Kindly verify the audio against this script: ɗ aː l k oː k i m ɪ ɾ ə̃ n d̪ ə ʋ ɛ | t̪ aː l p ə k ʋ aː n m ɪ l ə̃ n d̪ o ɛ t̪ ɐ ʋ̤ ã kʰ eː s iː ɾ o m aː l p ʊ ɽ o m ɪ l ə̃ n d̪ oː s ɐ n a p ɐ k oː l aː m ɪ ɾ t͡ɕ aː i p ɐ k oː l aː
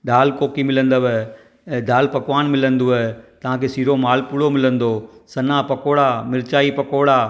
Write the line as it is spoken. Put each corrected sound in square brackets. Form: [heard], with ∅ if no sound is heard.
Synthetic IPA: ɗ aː l k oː k i m ɪ [l] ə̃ n d̪ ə ʋ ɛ | [d̪] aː l p [ɐ] k ʋ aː n m ɪ l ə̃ n d̪ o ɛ t̪ ɐ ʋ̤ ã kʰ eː s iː ɾ o m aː l p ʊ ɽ o m ɪ l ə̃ n d̪ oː s ɐ n a p ɐ k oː [ɽ] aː m ɪ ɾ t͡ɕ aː i p ɐ k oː [ɽ] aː

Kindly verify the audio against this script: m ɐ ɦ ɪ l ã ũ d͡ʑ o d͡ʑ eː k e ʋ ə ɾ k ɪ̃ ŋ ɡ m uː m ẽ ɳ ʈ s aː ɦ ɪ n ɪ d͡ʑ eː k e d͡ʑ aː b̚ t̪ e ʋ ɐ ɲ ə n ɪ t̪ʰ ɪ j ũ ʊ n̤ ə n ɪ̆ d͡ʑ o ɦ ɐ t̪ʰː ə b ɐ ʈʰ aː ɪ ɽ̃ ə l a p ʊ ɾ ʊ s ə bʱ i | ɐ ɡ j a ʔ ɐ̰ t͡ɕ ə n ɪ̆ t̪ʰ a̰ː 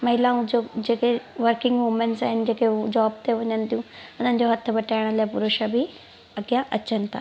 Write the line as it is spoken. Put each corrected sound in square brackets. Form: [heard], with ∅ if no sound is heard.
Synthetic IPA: m ɐ ɦ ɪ l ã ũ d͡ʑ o d͡ʑ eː k e ʋ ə ɾ k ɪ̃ ŋ ɡ m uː m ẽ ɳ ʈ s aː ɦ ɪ n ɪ d͡ʑ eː k e d͡ʑ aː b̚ t̪ e ʋ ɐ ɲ ə n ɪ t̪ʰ [i] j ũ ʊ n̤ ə n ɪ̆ d͡ʑ o ɦ ɐ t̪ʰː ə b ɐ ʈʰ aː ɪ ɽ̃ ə l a p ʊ ɾ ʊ [ʃ] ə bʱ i | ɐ ɡ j a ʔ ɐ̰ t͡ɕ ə n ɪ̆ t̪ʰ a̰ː

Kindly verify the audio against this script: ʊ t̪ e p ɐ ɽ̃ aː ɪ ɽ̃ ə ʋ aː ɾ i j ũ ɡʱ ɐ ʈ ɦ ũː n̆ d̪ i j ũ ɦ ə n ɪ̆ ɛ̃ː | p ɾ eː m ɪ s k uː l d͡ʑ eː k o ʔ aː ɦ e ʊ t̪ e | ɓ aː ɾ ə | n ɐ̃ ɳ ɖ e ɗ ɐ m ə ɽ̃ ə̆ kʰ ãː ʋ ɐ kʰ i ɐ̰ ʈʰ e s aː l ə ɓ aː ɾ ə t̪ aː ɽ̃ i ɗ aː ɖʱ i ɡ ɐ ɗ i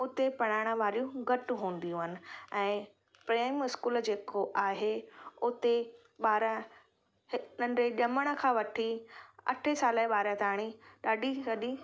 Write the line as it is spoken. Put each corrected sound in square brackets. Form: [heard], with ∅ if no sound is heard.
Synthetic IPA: ʊ t̪ e p ɐ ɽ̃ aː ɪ ɽ̃ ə ʋ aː ɾ i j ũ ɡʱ ɐ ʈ ɦ ũː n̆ d̪ i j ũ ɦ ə n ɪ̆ ɛ̃ː | p ɾ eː m ɪ s k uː l d͡ʑ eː k o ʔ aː ɦ e ʊ t̪ e | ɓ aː ɾ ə | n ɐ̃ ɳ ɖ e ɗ ɐ m ə ɽ̃ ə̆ kʰ ãː ʋ ɐ [ʈʰ] i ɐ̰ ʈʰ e s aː l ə ɓ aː ɾ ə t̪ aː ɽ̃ i ɗ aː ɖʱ i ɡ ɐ ɗ i

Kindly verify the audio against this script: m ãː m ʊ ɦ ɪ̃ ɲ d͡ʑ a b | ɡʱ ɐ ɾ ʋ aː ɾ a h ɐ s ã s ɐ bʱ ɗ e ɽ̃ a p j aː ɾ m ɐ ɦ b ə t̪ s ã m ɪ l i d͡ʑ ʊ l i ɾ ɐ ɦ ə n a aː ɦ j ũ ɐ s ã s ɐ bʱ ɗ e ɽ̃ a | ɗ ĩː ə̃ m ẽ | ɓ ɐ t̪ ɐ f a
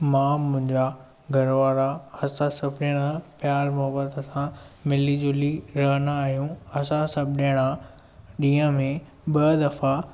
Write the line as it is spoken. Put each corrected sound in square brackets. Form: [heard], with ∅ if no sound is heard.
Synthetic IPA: m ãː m [ʊ̃] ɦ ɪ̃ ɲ d͡ʑ a [∅] | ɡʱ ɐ ɾ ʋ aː ɾ a h ɐ s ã s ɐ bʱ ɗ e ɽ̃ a p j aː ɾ m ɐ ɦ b ə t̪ s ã m ɪ l i d͡ʑ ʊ l i ɾ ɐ ɦ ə n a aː ɦ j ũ ɐ s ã s ɐ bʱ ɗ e ɽ̃ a | ɗ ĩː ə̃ m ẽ | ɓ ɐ [d̪] ɐ f a

